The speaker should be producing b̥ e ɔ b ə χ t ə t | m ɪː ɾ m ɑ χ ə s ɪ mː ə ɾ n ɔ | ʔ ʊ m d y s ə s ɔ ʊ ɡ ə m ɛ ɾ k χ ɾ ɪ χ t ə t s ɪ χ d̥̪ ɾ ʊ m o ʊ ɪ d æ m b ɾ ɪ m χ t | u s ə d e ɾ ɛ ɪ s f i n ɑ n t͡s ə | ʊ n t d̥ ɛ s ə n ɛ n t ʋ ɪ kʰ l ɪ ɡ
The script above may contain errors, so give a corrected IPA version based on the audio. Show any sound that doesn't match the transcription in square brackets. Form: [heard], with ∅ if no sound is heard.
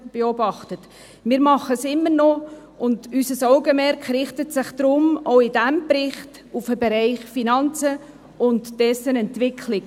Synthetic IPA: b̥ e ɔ b [ɑ] χ t ə t | m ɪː ɾ m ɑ χ ə s ɪ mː ə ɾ n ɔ | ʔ ʊ [n] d y s ə s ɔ ʊ ɡ ə m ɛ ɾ k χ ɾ ɪ χ t ə t s ɪ χ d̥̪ ɾ ʊ m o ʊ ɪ d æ m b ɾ ɪ [∅] χ t | u [f] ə [b] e ɾ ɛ ɪ [χ] f i n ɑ n t͡s ə | ʊ n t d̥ ɛ s ə n ɛ n t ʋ ɪ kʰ l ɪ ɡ